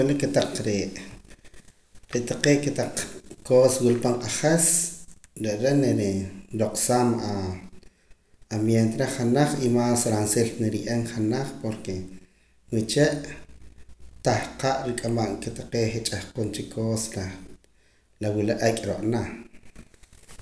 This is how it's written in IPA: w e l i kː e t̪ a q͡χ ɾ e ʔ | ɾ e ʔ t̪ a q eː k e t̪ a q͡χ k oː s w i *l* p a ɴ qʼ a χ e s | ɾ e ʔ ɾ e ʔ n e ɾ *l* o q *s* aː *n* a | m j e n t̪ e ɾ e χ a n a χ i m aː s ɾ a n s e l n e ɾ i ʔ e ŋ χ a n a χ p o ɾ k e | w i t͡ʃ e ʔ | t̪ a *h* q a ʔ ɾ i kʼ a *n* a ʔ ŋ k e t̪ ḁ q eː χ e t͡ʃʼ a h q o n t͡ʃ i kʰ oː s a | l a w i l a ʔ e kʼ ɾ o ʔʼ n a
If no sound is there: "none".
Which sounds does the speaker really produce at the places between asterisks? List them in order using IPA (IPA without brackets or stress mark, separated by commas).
l, ɾ, s, m, h, m